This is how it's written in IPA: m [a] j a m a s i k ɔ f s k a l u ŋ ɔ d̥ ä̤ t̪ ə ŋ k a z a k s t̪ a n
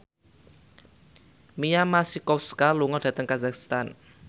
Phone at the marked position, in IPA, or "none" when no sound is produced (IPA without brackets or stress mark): i